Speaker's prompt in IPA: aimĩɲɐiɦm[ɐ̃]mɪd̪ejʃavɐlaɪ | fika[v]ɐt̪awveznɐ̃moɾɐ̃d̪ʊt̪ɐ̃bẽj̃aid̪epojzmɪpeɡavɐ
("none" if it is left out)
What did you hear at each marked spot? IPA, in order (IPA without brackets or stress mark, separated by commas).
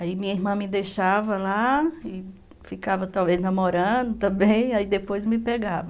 ɐ̃, v